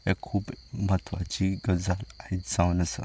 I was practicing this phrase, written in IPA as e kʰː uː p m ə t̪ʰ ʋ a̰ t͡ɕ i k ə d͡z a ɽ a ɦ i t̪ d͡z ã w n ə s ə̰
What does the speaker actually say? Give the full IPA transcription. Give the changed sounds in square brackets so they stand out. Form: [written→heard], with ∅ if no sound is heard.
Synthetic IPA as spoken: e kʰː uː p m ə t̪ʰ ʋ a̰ t͡ɕ i [k→ɡ] ə d͡z a [ɽ→l] a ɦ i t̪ d͡z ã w n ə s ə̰